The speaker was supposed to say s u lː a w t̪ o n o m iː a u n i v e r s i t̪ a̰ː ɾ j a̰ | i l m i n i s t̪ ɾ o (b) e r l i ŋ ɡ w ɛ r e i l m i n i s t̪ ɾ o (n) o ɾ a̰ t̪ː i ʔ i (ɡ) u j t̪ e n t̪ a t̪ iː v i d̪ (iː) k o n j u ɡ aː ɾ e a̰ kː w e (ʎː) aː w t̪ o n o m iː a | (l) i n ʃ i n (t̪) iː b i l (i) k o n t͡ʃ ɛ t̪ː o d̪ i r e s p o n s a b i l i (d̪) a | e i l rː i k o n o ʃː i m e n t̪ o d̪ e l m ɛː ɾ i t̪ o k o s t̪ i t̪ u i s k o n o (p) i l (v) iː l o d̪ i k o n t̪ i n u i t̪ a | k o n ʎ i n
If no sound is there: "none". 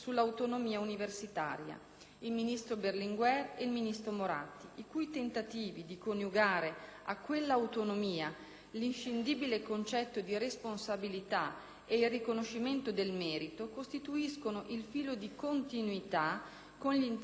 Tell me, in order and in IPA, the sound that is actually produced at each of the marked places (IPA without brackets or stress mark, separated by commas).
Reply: b, m, k, i, lː, l, d̪, e, t̪, ʔ, f